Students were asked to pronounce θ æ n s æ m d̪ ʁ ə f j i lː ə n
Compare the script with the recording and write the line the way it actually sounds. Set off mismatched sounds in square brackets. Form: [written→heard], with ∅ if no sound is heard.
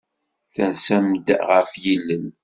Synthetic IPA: θ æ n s æ m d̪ ʁ ə f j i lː ə n